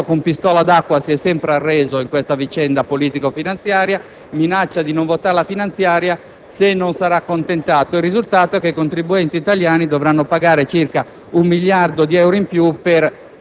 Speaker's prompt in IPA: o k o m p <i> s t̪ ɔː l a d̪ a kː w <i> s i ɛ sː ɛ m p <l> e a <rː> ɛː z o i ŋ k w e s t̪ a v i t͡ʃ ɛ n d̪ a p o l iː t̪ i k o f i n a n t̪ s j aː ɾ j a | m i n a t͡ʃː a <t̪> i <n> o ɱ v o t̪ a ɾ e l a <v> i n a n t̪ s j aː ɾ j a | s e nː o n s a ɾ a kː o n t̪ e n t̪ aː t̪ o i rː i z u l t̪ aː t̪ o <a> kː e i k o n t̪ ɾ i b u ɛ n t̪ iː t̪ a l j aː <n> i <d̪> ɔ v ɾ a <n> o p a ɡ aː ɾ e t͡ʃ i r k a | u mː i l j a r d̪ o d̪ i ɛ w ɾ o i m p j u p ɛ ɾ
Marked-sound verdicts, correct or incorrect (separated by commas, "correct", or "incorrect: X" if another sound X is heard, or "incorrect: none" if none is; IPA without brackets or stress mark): correct, incorrect: a, incorrect: ɾ, correct, incorrect: d̪, correct, incorrect: f, incorrect: ɛ, correct, correct, incorrect: nː